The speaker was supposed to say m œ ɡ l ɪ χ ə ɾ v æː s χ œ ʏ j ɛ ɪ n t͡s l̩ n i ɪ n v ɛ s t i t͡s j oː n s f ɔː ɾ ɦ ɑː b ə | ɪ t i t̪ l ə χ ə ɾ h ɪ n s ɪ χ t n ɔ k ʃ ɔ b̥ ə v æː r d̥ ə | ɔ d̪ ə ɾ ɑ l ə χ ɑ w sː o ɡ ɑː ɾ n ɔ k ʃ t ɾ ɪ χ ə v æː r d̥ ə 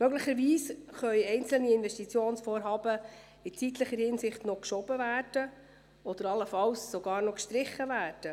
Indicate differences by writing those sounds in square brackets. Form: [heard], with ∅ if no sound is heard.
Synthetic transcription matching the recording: m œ ɡ l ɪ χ ə ɾ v [iː] s χ œ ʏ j ɛ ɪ n t͡s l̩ n i ɪ n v ɛ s t i t͡s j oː n s f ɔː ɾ ɦ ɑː b ə | ɪ [t͡s] i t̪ l ə χ ə ɾ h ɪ n s ɪ χ t n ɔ k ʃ ɔ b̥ ə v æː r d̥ ə | ɔ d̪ ə ɾ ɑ l ə [f] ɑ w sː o ɡ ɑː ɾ n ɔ k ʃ t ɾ ɪ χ ə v æː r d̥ ə